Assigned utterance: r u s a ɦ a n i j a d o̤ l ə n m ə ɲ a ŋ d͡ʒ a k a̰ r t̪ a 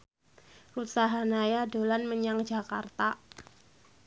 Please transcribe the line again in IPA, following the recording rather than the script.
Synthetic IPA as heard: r u s a ɦ a n a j a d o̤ l a n m ə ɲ a ŋ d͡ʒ a k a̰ r t̪ a